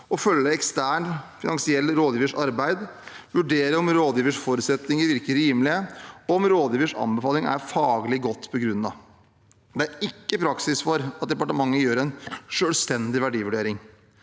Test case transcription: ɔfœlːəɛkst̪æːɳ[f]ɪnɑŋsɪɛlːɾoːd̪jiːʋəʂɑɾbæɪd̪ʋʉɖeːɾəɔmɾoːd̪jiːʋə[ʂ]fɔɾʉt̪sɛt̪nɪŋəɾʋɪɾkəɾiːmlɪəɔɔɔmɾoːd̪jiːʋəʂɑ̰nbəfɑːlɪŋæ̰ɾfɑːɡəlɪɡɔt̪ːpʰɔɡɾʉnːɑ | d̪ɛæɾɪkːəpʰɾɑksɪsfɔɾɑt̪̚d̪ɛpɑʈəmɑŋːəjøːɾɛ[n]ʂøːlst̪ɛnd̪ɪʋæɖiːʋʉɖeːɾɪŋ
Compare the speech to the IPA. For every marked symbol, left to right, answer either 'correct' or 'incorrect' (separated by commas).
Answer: correct, correct, correct